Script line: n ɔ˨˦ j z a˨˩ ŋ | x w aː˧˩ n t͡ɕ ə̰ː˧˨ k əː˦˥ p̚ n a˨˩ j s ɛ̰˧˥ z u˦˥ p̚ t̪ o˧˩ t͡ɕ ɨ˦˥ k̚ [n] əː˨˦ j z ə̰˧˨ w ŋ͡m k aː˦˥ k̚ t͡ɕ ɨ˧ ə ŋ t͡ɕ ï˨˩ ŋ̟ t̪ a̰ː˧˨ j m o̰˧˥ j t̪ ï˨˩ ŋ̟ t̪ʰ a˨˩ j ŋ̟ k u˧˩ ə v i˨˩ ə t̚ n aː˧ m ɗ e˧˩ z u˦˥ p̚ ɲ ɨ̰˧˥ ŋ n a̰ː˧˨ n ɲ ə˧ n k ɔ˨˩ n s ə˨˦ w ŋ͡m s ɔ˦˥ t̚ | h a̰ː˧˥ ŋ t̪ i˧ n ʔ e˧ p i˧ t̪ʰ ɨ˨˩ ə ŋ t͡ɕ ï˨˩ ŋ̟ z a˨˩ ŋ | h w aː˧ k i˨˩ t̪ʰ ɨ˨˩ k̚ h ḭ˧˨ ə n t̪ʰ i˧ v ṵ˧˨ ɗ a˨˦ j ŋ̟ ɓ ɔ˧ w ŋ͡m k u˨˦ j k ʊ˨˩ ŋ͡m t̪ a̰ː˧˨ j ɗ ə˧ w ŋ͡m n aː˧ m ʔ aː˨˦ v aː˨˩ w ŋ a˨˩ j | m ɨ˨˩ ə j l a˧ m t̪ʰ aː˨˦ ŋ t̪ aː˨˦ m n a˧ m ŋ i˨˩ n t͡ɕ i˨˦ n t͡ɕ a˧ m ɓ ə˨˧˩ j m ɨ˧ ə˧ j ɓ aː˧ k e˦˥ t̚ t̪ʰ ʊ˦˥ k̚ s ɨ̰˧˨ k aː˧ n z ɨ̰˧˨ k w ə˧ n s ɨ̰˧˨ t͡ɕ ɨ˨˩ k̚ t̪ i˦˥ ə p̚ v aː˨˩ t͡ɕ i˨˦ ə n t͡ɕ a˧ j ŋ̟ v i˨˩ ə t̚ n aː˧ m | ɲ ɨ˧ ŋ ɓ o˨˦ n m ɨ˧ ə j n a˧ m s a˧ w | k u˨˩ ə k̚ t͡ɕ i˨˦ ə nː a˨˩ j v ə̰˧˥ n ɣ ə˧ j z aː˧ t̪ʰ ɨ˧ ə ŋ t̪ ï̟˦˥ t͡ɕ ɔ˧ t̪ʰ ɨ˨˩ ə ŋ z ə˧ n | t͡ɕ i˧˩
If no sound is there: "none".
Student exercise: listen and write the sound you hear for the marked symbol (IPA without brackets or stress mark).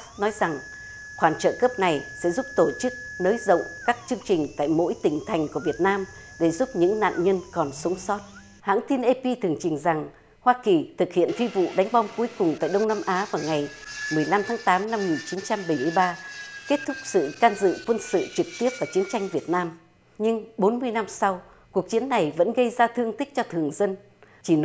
n